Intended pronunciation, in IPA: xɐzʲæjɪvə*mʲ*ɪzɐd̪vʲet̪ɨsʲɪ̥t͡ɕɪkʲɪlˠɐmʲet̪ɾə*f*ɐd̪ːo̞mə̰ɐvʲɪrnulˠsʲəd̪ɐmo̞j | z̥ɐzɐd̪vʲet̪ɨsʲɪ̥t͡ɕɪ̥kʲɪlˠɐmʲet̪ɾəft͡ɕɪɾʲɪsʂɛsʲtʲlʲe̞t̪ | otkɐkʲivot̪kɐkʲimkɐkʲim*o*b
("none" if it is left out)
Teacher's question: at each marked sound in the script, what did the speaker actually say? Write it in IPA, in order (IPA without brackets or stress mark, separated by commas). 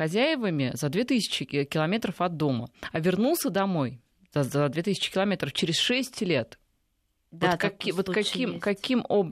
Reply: mʲ, f, o